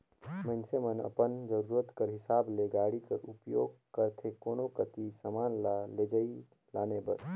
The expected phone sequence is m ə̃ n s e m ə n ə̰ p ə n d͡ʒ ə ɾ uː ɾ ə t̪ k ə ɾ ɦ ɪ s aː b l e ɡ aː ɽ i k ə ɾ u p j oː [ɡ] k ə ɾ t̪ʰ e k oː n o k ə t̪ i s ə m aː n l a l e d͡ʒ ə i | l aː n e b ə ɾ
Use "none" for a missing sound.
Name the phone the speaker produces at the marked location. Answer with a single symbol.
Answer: ɡ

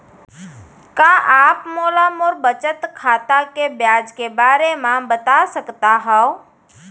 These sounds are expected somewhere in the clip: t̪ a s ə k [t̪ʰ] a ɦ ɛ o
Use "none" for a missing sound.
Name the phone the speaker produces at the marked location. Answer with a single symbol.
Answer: t̪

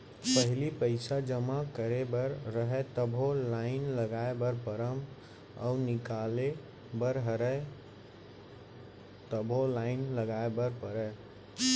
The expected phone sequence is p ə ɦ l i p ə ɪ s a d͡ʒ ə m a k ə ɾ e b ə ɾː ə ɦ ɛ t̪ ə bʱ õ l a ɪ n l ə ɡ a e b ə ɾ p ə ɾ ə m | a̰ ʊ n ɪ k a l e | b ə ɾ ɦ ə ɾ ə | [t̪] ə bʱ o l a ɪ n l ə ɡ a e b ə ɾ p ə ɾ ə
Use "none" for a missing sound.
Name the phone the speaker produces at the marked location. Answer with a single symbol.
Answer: t̪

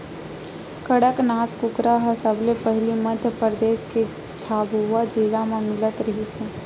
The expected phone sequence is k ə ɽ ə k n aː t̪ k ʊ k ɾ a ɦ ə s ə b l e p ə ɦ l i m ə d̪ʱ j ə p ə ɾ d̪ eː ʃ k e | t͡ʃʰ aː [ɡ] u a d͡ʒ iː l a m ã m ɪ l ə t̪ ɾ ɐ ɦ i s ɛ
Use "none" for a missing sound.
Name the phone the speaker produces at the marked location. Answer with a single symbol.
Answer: b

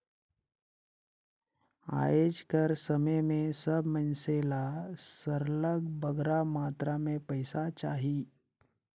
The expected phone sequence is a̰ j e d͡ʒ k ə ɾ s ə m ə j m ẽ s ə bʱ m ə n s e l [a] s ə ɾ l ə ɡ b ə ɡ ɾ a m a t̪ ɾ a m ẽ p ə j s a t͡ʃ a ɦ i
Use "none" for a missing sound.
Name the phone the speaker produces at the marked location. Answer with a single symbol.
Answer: a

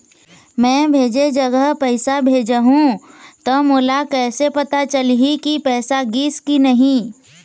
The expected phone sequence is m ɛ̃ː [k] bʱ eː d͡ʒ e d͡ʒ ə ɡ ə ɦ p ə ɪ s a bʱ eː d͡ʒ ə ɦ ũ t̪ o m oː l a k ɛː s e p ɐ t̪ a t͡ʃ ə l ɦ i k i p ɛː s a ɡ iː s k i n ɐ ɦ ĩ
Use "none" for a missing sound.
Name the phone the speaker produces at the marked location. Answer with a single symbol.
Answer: none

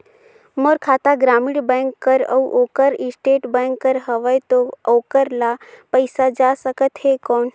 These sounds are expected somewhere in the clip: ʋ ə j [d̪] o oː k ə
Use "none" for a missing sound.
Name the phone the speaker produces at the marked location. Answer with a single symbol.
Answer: t̪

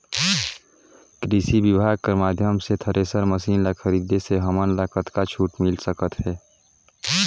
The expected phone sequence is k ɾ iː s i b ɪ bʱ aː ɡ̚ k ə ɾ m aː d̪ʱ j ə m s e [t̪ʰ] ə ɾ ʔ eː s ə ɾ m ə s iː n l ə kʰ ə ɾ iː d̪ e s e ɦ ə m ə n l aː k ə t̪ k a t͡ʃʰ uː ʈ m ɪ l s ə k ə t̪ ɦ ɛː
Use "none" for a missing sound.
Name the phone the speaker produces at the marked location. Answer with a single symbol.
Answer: t̪ʰ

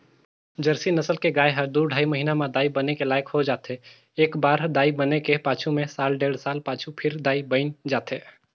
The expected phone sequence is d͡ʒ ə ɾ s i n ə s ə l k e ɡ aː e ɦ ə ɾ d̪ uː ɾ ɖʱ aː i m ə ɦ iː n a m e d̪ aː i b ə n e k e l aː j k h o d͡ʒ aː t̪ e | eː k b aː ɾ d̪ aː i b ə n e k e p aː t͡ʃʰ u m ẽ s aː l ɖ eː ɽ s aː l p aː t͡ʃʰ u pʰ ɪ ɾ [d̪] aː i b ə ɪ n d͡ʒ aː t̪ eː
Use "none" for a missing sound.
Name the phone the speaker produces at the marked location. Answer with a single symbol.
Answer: d̪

